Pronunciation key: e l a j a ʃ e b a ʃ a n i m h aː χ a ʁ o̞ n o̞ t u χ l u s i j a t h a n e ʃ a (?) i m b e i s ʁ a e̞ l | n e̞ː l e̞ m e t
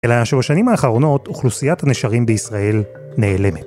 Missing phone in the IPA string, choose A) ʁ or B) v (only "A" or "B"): A